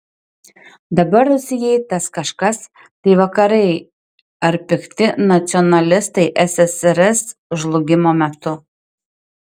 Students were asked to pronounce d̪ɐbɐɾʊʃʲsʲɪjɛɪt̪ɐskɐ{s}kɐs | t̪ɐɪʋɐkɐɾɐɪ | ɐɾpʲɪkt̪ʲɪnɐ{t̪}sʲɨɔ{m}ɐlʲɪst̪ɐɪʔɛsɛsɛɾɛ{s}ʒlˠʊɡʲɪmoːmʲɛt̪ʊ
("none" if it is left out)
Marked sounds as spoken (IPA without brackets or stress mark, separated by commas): ʃ, t̪, n, s